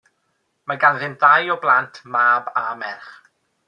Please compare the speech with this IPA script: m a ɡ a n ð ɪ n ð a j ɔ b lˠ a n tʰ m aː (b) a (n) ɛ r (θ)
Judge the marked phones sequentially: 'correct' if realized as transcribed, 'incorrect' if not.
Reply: correct, incorrect: m, incorrect: χ

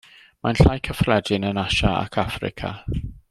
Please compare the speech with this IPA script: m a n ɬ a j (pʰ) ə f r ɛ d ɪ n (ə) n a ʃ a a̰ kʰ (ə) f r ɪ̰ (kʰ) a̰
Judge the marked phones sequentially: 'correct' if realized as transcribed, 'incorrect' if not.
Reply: incorrect: kʰ, correct, incorrect: a, correct

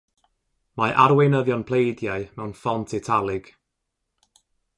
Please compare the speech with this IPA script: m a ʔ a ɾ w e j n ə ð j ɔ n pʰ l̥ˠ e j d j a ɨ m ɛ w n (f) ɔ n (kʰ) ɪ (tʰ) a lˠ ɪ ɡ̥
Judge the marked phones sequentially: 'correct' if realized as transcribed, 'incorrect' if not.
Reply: correct, incorrect: tʰ, correct

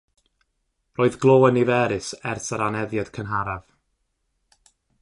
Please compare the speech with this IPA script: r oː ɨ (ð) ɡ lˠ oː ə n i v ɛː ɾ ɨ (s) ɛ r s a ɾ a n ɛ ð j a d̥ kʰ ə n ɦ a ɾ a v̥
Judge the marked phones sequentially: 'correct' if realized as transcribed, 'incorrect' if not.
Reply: correct, correct

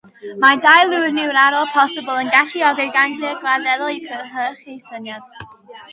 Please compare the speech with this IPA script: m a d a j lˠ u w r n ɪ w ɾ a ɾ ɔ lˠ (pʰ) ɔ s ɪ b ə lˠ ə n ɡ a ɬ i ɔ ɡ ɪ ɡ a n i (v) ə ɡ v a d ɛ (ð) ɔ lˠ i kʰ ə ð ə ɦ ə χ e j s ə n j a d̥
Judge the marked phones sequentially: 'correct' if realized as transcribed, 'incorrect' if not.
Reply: correct, incorrect: none, correct

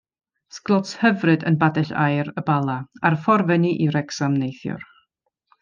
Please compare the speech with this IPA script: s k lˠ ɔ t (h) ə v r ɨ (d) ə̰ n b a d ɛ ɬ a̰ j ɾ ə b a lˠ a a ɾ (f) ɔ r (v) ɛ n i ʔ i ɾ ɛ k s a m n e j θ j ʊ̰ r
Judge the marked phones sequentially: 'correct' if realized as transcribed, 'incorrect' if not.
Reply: correct, correct, correct, correct

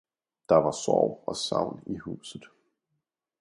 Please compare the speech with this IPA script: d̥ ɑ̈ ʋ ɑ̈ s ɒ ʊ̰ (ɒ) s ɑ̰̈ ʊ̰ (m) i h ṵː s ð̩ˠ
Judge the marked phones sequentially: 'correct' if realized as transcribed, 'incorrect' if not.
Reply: correct, incorrect: n

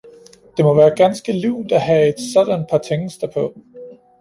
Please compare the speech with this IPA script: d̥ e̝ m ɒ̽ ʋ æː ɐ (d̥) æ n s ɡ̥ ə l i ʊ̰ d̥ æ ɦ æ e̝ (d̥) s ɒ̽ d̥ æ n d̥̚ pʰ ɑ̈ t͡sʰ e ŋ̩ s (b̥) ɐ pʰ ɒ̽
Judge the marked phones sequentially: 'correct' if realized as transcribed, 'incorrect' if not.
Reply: incorrect: ɡ̥, correct, incorrect: d̥

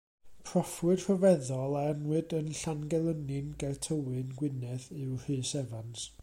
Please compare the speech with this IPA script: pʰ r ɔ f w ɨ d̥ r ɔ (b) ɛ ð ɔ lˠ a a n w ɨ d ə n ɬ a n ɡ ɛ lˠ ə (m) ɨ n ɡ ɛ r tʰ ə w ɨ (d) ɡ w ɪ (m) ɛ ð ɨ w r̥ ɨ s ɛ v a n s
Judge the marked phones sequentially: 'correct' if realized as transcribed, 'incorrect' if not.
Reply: incorrect: v, incorrect: n, incorrect: n, incorrect: n

